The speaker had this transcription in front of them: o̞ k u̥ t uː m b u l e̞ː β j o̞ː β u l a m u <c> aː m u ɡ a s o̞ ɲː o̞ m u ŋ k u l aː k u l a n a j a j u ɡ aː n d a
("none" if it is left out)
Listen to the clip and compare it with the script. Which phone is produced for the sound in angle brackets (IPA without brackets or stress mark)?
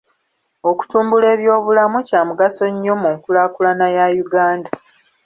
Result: c